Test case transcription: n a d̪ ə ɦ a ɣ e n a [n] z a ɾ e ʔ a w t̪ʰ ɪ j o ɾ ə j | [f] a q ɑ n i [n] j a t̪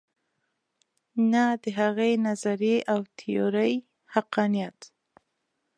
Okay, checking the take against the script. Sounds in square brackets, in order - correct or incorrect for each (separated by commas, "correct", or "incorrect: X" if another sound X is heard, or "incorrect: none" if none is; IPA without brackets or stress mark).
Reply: incorrect: none, incorrect: h, incorrect: none